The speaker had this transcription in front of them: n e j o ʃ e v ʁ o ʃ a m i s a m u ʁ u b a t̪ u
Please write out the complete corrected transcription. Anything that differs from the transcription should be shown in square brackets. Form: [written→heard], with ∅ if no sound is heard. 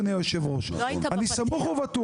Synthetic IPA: n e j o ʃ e v ʁ o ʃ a [m→n] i s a m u [ʁ→χ] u [b→v] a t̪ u